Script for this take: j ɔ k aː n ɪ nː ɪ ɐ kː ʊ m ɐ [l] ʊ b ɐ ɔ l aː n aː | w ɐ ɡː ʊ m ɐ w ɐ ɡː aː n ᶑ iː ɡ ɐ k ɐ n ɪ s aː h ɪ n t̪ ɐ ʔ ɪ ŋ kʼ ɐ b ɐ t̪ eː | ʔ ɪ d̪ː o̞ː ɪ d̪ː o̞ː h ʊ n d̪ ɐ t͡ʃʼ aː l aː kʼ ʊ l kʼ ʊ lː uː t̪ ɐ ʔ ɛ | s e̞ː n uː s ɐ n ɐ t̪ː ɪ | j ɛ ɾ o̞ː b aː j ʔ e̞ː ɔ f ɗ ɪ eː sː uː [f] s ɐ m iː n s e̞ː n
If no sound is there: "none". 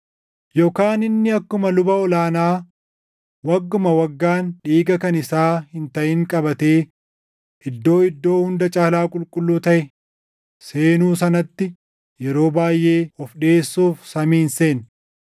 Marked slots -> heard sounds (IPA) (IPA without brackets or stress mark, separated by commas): l, f